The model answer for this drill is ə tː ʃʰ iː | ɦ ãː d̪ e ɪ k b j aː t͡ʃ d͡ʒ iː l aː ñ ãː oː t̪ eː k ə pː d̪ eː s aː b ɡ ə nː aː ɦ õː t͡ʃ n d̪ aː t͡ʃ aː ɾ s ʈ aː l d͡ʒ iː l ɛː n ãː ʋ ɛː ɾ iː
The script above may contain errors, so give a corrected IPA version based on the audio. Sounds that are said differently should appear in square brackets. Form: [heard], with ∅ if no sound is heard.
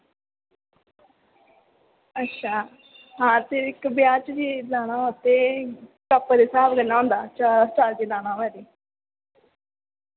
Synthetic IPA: ə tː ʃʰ [aː] | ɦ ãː [t̪] e ɪ k b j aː t͡ʃ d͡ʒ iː l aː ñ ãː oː t̪ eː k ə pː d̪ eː s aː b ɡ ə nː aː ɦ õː [∅] n d̪ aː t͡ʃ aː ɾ s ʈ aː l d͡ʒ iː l [aː] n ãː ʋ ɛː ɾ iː